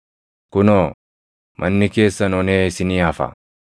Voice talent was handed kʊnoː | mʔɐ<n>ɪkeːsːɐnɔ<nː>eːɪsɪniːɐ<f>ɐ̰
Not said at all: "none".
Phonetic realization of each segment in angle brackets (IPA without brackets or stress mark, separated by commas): nː, n, f